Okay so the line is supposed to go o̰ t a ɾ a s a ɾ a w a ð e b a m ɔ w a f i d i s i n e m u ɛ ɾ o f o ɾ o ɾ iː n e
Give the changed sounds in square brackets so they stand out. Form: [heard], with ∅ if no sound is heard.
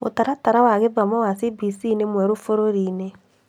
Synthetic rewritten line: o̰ t a ɾ a [t] a ɾ a w a [ɣ] e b a m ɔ w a [s] i [b] i s i n e m [w] ɛ ɾ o f o ɾ o ɾ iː n e

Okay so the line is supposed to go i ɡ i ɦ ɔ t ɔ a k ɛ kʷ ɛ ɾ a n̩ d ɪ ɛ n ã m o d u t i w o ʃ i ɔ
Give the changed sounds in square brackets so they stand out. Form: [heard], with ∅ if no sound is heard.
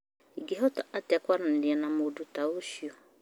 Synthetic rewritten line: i ɡ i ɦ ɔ t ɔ a [t] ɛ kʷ [a] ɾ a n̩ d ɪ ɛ n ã m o d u t [a] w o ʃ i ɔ

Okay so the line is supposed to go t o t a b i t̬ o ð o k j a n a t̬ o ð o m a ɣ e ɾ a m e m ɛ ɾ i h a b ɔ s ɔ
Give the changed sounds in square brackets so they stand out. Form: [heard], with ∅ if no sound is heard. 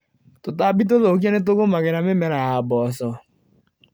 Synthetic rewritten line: t o t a b i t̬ o ð o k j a n [e] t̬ o [ɣ] o m a ɣ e ɾ a m e m ɛ ɾ [a] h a b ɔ s ɔ

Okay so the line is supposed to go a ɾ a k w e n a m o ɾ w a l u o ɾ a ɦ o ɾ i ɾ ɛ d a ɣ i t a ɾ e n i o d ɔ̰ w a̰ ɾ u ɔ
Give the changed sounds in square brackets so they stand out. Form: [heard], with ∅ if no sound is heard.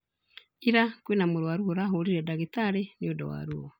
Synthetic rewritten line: [i] ɾ a k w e n a m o ɾ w a [ɾ] u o ɾ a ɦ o ɾ i ɾ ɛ d a ɣ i t a ɾ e n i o d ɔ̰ w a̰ ɾ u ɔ

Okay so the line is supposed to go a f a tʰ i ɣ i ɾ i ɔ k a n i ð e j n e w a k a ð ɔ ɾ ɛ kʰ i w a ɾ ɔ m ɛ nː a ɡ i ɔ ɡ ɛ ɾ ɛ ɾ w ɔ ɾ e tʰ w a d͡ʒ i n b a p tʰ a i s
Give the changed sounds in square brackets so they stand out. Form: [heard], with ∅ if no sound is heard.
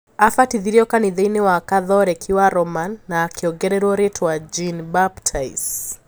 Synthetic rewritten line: a f a [t] i [ð] i ɾ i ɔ k a n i ð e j n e w a k a ð ɔ ɾ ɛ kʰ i w a ɾ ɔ m [a] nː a [k] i ɔ ɡ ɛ ɾ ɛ ɾ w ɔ ɾ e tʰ w a d͡ʒ i n b a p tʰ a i s

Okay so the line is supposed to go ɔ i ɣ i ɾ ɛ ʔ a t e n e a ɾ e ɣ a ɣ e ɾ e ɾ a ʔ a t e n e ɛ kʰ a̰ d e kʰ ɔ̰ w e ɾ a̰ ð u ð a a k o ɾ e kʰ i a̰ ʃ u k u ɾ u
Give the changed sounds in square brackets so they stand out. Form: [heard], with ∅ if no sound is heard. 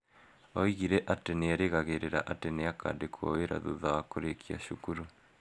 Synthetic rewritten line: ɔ i ɣ i ɾ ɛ ʔ a t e n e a ɾ e ɣ a ɣ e ɾ e ɾ a ʔ a t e n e [a] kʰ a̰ d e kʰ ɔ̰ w e ɾ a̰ ð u ð a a k o ɾ e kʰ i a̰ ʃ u k u ɾ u

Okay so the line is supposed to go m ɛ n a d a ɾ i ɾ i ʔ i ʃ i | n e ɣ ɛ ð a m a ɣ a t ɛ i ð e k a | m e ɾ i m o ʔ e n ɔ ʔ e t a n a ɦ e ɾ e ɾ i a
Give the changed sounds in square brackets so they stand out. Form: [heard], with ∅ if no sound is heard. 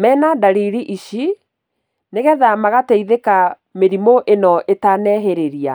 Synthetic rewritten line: m ɛ n a d a ɾ i ɾ i ʔ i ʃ i | n e ɣ ɛ ð a m a ɣ a t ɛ i ð e k a | m e ɾ i m o ʔ e n ɔ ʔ e t a n [ɛ] ɦ e ɾ e ɾ i a

